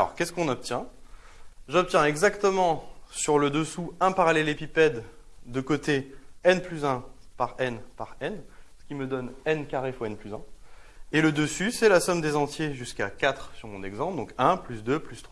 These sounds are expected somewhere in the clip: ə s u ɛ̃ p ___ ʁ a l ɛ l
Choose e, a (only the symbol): a